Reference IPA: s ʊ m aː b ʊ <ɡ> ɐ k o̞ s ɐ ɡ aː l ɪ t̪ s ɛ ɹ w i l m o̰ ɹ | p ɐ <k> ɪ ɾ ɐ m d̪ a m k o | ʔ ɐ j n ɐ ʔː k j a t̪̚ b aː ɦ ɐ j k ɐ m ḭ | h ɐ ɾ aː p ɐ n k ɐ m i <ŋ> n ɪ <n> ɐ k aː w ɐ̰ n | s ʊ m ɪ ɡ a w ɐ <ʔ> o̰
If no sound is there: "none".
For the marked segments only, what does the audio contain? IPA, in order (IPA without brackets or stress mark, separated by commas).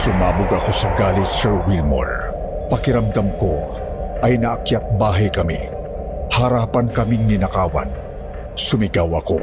ɡ, k, ŋ, n, k